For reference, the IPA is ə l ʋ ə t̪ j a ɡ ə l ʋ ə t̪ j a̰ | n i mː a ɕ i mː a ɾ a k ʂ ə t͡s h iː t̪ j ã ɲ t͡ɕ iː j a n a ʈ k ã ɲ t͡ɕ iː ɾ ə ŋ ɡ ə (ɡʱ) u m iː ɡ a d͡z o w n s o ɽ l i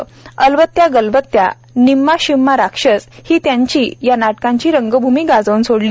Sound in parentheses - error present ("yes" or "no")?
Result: yes